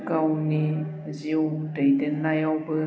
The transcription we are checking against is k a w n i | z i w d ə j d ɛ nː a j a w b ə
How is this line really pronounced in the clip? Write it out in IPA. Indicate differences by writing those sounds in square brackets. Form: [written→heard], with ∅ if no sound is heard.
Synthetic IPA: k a w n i | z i w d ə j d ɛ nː a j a w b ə

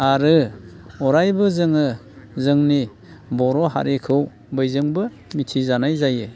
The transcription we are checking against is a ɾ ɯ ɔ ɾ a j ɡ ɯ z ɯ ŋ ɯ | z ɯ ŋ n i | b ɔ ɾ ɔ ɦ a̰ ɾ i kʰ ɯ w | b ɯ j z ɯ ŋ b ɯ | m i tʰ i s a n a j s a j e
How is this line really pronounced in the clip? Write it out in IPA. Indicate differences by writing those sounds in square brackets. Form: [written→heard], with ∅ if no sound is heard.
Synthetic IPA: a ɾ ɯ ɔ ɾ a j [ɡ→b] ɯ z ɯ ŋ ɯ | z ɯ ŋ n i | b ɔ ɾ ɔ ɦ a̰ ɾ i kʰ ɯ w | b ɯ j z ɯ ŋ b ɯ | m i tʰ i [s→z] a n a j [s→z] a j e

